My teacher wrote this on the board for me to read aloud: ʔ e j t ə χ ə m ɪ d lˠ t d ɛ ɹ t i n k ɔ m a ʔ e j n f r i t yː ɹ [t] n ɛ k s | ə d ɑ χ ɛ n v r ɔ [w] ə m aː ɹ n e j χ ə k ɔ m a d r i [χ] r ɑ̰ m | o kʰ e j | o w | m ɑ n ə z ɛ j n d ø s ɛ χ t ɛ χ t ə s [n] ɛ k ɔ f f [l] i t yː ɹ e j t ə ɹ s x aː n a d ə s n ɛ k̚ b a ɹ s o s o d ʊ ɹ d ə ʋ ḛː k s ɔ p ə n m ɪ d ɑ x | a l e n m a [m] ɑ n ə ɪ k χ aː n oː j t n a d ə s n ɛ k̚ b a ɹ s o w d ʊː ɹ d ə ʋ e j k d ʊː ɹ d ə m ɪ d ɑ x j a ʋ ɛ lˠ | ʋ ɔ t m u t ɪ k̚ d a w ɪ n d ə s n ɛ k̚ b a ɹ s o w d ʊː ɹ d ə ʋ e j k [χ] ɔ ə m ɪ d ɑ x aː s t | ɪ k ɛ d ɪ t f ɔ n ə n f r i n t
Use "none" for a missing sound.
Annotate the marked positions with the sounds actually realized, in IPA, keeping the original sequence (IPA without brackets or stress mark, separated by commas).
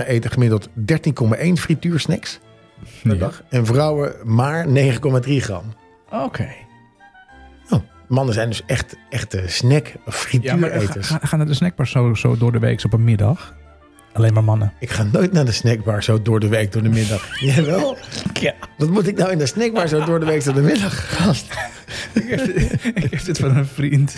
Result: s, w, χ, n, r, m, s